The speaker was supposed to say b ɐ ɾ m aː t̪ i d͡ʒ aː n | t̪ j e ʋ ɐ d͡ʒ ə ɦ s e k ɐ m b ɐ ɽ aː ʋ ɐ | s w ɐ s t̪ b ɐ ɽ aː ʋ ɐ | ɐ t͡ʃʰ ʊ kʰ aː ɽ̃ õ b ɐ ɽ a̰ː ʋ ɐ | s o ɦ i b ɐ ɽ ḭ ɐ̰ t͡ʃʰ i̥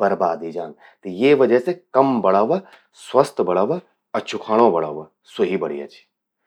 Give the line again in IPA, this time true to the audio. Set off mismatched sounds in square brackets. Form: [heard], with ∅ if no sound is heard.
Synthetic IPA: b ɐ ɾ [b] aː [d̪] i d͡ʒ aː n | t̪ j e ʋ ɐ d͡ʒ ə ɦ s e k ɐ m b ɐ ɽ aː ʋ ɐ | s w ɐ s t̪ b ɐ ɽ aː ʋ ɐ | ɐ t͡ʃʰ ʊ kʰ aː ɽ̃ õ b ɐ ɽ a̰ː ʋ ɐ | s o ɦ i b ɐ ɽ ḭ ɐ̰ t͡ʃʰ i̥